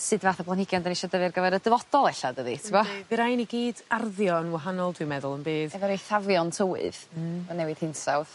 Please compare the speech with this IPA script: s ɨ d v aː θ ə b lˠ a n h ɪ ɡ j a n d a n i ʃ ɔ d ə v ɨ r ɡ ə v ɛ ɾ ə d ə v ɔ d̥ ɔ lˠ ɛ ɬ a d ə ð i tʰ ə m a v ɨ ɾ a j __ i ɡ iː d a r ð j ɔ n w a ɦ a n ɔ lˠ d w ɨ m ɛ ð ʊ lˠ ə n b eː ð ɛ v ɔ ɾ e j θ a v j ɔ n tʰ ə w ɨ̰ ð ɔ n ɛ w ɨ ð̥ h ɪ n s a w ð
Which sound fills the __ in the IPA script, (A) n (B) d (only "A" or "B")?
A